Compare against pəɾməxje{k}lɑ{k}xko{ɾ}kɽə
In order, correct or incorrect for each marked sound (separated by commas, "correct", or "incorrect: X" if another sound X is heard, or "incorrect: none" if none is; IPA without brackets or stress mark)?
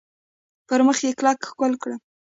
correct, correct, incorrect: l